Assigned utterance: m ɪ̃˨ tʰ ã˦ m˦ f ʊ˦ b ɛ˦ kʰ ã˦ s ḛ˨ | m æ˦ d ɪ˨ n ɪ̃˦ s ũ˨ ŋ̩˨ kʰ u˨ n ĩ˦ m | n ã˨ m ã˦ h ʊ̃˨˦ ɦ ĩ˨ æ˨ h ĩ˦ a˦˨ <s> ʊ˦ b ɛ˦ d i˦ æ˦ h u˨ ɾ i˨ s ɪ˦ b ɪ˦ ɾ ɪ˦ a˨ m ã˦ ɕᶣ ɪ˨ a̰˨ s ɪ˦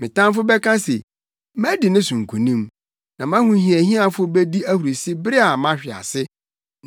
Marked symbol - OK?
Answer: no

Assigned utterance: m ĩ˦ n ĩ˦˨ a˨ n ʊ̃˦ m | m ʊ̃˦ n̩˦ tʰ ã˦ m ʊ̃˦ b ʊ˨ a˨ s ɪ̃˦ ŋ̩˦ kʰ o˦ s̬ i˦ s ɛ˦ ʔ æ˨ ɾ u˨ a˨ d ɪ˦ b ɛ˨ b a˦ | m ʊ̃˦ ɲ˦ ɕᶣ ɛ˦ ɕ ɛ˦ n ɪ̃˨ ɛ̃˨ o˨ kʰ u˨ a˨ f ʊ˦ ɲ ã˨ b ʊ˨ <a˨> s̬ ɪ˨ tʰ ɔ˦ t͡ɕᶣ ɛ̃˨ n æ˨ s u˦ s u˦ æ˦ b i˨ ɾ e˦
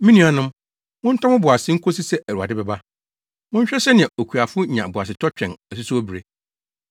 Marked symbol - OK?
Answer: yes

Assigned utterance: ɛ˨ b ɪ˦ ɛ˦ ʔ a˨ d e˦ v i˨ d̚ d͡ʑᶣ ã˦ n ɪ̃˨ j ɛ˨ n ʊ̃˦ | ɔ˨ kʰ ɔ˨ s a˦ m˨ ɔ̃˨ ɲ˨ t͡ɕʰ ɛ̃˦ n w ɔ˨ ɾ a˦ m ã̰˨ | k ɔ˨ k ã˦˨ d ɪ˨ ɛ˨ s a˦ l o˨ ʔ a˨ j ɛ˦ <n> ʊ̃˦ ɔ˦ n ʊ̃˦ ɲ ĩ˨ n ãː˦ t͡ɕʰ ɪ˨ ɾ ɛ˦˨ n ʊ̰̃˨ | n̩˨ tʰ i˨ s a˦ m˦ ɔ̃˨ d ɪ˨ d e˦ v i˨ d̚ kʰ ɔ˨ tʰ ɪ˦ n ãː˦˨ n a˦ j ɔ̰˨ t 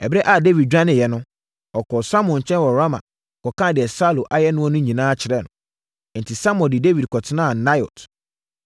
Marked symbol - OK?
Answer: yes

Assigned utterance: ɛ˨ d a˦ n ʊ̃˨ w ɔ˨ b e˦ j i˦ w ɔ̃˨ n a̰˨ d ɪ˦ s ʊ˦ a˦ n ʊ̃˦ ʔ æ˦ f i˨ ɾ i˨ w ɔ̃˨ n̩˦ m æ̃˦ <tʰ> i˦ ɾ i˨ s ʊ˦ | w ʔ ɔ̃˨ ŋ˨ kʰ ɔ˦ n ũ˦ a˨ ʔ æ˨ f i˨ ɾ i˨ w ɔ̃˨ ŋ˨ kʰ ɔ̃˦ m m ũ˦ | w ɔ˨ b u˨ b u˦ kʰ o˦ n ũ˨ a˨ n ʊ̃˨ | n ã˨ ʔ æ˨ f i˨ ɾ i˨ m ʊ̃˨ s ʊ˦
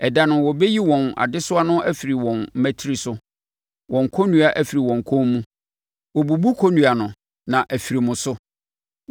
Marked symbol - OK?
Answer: yes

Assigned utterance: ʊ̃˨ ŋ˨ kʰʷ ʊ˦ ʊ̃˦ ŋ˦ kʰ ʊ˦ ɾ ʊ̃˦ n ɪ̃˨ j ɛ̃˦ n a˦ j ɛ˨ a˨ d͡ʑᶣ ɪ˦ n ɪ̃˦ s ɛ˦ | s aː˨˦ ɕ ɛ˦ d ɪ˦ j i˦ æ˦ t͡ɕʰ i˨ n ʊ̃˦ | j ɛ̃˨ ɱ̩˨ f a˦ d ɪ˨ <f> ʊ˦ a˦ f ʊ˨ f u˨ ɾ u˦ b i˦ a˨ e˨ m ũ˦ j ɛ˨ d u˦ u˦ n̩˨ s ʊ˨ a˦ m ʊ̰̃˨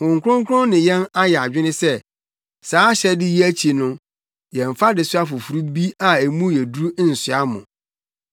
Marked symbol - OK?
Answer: no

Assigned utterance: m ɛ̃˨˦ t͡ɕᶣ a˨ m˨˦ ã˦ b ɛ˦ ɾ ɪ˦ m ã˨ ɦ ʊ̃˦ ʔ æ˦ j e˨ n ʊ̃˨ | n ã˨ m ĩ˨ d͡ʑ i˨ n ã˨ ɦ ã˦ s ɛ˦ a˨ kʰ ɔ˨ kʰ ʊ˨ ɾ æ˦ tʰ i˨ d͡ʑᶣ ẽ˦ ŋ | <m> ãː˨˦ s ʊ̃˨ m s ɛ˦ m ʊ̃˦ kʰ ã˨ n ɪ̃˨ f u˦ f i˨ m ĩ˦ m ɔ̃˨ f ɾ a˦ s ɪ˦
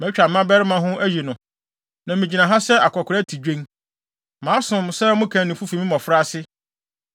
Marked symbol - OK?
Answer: yes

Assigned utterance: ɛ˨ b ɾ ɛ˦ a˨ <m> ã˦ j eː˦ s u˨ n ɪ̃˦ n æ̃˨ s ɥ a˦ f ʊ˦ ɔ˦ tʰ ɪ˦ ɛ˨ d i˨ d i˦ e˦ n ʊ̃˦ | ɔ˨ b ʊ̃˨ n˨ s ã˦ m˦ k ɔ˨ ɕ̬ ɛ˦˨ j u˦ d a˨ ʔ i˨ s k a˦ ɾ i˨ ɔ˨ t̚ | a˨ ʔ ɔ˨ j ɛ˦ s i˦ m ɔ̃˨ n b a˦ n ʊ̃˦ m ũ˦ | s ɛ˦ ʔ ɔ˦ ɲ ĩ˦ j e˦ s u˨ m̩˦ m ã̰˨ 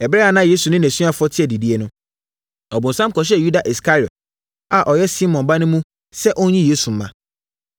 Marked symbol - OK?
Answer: no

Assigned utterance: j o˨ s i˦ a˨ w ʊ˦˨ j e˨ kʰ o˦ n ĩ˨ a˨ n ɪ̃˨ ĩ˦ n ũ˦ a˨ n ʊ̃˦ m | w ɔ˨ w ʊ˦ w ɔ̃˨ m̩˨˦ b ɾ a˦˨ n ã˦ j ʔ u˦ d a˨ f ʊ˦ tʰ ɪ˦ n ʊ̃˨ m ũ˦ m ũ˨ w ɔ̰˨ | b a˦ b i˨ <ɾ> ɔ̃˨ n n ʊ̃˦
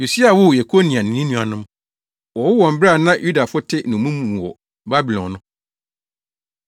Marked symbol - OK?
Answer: no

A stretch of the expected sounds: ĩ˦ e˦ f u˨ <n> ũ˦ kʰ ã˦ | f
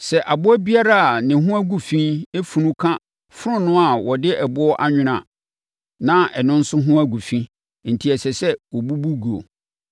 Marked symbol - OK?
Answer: yes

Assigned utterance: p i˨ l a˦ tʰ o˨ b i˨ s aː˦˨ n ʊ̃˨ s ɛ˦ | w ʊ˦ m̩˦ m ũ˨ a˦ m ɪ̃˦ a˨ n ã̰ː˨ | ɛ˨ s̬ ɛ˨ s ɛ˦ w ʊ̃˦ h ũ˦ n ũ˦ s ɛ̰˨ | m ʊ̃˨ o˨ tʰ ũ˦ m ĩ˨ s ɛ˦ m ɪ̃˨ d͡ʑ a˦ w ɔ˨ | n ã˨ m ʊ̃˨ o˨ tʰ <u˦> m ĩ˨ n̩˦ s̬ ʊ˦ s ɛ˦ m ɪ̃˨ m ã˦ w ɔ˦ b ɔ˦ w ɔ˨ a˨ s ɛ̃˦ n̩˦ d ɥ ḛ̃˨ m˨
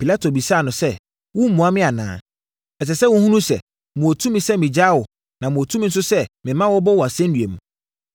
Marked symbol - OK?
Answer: yes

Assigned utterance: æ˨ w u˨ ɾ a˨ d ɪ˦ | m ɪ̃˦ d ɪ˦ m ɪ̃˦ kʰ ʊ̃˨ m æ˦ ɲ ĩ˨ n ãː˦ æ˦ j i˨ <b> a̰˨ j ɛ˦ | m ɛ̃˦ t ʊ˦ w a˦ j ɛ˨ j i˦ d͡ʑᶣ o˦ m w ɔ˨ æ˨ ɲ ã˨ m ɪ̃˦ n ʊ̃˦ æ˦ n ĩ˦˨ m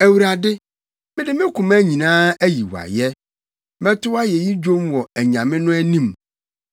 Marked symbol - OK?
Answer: no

